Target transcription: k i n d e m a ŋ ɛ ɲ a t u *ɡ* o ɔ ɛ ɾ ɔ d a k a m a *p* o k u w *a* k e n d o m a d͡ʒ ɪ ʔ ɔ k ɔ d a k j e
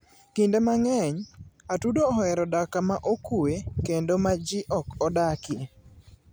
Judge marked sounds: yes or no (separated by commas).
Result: no, no, no